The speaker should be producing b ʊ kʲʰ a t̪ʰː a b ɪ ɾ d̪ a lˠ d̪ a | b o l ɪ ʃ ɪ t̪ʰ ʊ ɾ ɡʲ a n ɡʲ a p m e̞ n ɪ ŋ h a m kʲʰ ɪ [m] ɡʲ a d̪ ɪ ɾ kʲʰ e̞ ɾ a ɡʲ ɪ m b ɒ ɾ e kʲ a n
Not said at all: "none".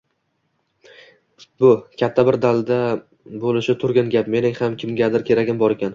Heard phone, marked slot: m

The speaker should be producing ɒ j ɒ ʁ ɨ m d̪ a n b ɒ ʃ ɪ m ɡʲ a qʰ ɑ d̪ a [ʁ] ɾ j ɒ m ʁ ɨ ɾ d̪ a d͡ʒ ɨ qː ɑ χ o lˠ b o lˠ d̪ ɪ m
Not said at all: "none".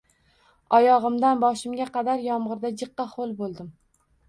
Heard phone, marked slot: none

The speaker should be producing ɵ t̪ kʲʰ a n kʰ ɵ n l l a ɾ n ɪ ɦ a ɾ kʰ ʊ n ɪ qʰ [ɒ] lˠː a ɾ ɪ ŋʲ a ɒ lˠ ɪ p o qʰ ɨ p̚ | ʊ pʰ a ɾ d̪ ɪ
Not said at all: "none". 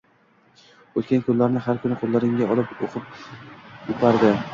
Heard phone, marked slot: o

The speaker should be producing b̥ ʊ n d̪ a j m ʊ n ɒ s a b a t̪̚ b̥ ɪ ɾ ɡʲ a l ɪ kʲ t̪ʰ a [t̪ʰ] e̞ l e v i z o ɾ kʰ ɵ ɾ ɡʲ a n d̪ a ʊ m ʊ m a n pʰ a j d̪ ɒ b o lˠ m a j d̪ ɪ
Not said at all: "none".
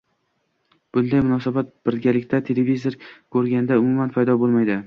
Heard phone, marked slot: t̪ʰ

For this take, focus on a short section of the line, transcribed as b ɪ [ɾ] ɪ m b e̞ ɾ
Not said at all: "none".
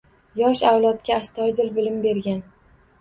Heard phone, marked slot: l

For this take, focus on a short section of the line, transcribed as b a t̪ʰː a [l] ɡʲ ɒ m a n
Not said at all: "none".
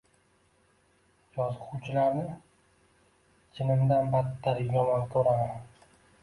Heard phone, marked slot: ɾ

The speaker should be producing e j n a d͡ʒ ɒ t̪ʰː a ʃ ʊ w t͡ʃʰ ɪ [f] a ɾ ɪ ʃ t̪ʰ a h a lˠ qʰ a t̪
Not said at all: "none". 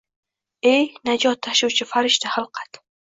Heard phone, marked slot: f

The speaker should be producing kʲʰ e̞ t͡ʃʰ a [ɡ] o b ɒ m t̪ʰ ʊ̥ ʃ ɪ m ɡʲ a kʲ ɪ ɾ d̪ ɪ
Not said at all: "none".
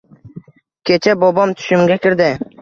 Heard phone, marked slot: b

